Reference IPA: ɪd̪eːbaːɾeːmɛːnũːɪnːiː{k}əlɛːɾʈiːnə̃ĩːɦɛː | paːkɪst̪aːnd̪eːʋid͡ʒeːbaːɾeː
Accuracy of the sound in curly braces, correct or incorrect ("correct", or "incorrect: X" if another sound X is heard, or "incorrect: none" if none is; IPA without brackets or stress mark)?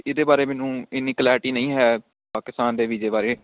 correct